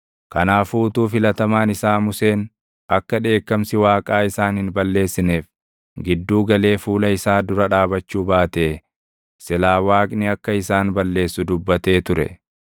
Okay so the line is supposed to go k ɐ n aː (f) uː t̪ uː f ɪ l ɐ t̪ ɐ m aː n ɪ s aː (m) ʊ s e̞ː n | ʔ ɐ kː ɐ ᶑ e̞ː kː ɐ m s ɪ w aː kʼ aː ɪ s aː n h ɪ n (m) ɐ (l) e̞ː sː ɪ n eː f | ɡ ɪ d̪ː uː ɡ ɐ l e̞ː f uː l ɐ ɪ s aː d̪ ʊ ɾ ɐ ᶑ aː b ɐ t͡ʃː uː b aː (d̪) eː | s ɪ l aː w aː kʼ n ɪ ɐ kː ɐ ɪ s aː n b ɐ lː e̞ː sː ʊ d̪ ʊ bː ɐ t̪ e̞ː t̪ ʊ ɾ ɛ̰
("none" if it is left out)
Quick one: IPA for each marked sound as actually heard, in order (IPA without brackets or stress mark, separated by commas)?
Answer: f, m, b, lː, t̪